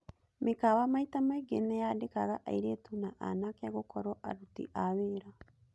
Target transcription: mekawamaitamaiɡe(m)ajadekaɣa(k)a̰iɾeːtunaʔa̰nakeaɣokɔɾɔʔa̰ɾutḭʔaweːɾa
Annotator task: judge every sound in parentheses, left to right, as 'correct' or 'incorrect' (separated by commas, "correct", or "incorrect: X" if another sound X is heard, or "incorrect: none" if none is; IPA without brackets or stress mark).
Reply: incorrect: n, incorrect: ʔ